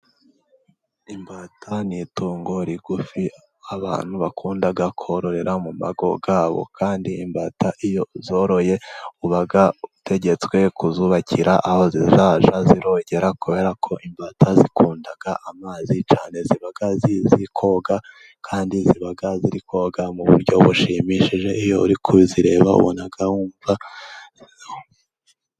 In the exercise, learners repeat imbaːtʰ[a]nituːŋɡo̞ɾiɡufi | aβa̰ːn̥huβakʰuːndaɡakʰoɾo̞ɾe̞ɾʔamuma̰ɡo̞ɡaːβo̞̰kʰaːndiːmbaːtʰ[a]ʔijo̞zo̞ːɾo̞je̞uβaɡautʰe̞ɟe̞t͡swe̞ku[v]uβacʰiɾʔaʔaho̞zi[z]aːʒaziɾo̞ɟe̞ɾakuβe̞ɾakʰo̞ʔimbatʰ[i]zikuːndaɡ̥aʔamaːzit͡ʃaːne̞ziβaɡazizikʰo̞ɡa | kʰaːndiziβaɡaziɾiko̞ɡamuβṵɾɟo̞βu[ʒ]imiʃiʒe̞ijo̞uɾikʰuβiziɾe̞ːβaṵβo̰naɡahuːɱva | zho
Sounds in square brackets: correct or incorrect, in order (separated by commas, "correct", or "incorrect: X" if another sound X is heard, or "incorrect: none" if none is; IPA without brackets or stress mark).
correct, correct, incorrect: z, correct, incorrect: a, incorrect: ʃ